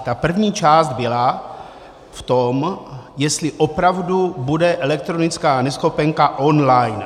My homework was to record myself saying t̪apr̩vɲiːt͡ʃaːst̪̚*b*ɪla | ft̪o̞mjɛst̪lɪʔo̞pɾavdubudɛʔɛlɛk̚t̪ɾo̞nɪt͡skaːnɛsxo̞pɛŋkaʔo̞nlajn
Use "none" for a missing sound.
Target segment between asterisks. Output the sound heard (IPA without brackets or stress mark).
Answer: b